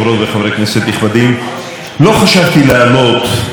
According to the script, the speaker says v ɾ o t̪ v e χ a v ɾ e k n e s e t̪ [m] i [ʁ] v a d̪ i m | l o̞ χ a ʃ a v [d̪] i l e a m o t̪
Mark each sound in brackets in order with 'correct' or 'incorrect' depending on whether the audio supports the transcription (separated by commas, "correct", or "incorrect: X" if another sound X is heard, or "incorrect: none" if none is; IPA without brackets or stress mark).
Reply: incorrect: n, incorrect: χ, incorrect: t̪